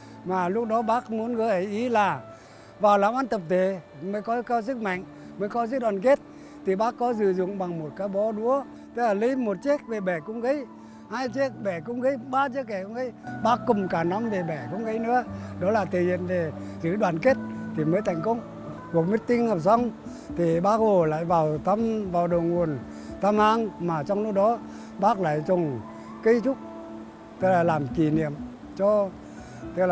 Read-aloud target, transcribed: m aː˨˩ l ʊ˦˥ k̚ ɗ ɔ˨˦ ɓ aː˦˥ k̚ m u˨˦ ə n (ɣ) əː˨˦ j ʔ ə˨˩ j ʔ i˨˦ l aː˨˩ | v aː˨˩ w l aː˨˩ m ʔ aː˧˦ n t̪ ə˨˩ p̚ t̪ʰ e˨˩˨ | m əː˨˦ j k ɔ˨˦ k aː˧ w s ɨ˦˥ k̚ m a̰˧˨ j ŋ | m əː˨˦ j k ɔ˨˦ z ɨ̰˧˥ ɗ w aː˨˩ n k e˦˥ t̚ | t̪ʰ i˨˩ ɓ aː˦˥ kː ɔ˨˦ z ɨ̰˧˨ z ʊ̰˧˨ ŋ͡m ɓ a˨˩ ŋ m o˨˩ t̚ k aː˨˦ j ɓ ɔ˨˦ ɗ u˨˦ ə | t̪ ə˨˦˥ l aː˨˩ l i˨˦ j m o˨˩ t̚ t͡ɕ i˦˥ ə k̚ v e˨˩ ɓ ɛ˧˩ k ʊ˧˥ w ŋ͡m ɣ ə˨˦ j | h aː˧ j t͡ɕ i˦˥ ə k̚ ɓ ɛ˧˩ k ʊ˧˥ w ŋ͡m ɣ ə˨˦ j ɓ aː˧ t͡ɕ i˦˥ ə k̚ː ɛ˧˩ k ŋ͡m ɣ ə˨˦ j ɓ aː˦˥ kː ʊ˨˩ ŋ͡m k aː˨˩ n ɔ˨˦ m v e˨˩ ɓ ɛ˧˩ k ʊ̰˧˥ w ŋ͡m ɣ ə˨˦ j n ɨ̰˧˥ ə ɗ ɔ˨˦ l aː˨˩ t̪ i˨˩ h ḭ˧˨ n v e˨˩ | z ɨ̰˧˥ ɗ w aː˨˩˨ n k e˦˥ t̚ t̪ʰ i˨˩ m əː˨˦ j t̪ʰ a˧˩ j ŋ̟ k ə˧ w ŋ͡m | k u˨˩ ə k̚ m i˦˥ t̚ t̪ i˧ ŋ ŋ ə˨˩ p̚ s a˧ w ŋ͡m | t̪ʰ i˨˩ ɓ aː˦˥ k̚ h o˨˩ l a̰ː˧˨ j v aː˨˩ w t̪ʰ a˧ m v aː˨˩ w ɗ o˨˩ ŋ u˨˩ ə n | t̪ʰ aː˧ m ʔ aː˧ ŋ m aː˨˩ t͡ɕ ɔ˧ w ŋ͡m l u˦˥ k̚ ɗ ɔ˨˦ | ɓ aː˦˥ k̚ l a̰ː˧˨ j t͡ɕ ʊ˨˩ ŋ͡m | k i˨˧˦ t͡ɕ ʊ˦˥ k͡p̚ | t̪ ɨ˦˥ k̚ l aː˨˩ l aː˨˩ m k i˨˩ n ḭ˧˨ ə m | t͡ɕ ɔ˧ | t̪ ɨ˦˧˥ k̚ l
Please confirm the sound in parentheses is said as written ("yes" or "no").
yes